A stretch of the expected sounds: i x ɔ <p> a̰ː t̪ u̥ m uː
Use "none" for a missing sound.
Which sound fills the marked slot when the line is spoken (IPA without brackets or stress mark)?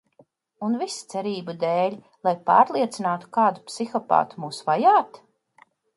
p